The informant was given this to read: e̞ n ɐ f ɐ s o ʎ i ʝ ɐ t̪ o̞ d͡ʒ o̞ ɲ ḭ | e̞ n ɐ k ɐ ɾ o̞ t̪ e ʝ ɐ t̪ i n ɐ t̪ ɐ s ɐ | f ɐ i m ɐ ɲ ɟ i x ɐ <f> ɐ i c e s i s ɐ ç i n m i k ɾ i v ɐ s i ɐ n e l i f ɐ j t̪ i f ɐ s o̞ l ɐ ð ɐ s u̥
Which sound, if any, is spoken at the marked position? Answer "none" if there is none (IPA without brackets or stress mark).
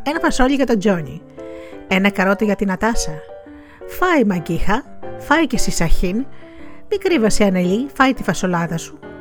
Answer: f